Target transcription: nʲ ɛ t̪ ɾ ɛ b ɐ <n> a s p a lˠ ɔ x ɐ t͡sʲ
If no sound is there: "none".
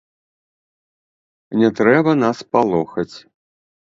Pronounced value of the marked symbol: n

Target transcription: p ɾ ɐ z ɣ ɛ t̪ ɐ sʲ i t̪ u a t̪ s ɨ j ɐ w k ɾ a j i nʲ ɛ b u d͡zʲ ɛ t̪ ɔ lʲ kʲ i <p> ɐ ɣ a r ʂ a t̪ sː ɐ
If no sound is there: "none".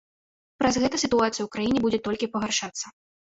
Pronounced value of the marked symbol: p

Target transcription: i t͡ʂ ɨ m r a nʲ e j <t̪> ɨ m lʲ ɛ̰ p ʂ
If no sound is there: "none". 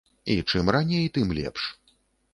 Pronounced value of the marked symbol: t̪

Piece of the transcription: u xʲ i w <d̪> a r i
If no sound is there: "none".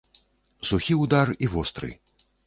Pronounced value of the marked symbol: d̪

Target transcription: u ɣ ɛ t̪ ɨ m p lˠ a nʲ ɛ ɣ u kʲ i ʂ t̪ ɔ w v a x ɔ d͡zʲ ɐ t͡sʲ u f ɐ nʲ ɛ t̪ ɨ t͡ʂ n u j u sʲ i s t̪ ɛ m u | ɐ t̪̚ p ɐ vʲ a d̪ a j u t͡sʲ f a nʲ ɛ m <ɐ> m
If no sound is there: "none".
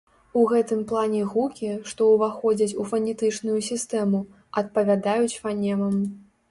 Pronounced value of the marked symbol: ɐ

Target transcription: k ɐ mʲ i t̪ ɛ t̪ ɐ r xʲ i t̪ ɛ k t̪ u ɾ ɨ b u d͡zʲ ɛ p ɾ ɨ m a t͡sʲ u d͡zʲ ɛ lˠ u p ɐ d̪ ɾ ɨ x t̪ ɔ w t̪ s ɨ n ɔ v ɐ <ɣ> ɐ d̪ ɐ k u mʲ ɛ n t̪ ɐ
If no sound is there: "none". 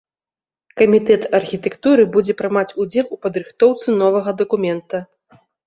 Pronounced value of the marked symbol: ɣ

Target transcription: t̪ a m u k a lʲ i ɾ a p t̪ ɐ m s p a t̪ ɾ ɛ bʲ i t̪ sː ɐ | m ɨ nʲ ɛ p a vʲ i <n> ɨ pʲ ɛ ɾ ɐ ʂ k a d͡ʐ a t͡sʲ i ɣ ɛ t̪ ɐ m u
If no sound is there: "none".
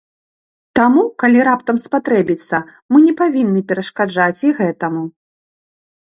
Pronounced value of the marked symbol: nː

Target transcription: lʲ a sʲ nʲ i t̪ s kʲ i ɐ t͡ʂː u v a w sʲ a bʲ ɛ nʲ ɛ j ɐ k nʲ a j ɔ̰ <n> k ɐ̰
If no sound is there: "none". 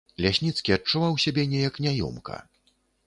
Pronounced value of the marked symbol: m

